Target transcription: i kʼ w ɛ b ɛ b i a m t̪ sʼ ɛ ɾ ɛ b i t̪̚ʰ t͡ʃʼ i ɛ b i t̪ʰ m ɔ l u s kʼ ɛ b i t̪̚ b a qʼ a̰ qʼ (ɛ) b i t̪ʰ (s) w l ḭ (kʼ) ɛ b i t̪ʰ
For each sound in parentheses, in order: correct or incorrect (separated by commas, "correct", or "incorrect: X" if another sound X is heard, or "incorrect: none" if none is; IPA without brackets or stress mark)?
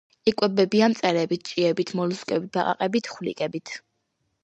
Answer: correct, incorrect: χ, correct